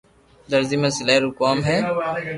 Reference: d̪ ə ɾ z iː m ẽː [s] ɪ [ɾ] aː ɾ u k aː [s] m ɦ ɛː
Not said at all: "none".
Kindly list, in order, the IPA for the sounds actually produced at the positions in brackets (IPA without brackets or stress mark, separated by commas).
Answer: s, l, none